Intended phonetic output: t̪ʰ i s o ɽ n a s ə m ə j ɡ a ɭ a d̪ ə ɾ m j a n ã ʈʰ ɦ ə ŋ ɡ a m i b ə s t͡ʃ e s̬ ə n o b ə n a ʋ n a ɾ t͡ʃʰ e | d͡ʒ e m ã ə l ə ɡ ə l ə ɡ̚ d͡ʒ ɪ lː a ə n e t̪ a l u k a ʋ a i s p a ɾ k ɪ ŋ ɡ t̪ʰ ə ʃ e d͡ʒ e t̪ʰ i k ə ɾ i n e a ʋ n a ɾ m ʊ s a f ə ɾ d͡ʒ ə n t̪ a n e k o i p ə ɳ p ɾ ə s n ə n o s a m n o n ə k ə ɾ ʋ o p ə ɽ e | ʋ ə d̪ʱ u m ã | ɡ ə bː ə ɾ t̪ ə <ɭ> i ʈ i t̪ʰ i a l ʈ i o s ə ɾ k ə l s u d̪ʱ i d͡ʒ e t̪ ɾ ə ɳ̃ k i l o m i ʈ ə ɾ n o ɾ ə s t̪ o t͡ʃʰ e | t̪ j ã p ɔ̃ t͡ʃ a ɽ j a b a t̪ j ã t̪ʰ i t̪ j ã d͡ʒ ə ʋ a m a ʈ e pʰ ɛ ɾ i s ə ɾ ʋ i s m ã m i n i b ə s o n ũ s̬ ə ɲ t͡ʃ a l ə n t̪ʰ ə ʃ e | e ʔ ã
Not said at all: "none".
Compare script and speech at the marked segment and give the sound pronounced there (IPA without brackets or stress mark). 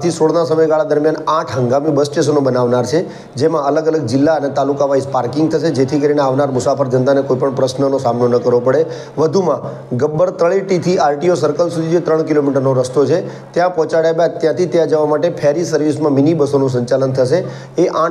ɭ